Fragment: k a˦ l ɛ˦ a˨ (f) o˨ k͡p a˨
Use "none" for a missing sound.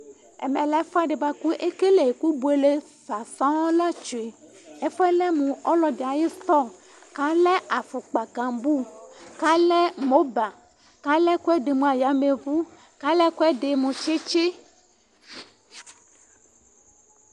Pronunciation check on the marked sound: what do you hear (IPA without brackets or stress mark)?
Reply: f